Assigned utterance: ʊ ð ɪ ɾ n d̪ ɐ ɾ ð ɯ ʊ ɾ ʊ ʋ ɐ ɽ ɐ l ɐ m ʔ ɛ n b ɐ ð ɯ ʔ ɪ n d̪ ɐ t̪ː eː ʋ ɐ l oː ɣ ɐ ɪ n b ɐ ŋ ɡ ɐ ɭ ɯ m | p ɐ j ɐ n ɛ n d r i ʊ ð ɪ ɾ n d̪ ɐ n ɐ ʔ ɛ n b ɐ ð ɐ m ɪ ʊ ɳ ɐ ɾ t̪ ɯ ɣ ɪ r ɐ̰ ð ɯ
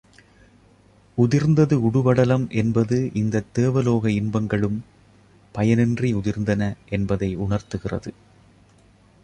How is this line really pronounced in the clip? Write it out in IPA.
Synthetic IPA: ʊ ð ɪ ɾ n d̪ ɐ ð ɯ ʊ ɽ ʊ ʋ ɐ ɽ ɐ l ɐ m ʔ ɛ n b ɐ ð ɯ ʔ ɪ n d̪ ɐ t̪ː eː ʋ ɐ l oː ɣ ɐ ɪ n b ɐ ŋ ɡ ɐ ɭ ɯ m | p ɐ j ɐ n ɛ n d r i ʊ ð ɪ ɾ n d̪ ɐ n ɐ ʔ ɛ n b ɐ ð ɐ ɪ ʊ ɳ ɐ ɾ t̪ ɯ ɣ ɪ r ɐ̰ ð ɯ